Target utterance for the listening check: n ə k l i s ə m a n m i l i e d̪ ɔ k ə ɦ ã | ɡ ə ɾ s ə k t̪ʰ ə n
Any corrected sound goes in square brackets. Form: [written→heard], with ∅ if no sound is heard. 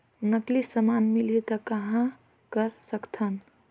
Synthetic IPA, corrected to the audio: n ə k l i s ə m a n m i l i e [d̪→t̪] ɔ k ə ɦ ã | [ɡ→k] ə ɾ s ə k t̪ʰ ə n